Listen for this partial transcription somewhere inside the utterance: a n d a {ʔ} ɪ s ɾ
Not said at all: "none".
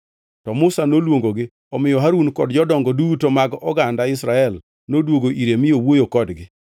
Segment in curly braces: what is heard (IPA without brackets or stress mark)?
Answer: none